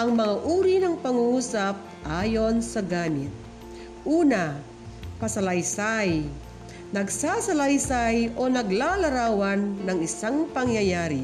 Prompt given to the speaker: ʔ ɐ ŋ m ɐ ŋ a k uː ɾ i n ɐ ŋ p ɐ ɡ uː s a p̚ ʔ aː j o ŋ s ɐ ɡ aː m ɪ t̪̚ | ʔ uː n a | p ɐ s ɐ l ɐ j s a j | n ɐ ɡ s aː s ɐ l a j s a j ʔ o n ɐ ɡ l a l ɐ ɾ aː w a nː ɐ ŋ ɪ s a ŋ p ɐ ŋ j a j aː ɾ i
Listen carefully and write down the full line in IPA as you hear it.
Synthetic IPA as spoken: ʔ ɐ ŋ m ɐ ŋ a ʔ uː ɾ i n ɐ ŋ p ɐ ŋ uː s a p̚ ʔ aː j o n s ɐ ɡ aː m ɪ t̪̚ | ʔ uː n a | p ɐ s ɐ l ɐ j s a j | n ɐ ɡ s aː s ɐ l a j s a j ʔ o n ɐ ɡ l a l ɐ ɾ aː w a nː ɐ ŋ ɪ s a ŋ p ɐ ŋ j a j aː ɾ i